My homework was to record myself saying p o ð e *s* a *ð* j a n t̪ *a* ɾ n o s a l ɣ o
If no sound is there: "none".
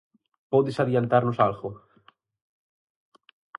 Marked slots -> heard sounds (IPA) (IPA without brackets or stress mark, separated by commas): s, ð, a